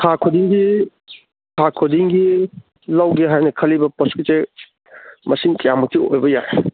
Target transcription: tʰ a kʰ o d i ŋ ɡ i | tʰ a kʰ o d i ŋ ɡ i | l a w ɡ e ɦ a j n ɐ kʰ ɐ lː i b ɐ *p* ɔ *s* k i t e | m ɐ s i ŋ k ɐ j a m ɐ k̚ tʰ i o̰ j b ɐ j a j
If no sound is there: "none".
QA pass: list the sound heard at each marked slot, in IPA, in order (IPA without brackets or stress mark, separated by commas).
p, s